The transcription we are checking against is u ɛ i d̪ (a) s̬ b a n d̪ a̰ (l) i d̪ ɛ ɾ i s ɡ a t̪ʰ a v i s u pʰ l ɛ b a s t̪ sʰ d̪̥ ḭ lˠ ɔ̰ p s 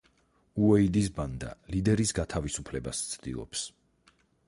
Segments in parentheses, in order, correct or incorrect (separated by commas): incorrect, correct